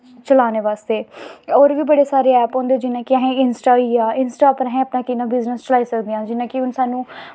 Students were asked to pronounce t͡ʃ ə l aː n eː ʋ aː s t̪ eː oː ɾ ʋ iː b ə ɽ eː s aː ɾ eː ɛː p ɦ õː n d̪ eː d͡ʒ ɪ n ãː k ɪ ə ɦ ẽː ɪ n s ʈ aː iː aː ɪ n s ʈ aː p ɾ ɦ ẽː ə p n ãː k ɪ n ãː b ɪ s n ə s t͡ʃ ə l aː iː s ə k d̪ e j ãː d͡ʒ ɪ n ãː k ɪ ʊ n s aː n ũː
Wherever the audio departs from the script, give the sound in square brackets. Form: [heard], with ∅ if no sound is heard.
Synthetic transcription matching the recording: t͡ʃ ə l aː n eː ʋ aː s t̪ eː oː ɾ ʋ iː b ə ɽ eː s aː ɾ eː ɛː p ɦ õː n d̪ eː d͡ʒ ɪ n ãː k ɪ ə ɦ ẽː ɪ n s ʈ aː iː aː ɪ n s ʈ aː p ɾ ɦ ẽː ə p n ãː k ɪ n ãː b ɪ [z] n ə s t͡ʃ ə l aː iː s ə k d̪ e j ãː d͡ʒ ɪ n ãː k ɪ ʊ n s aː n ũː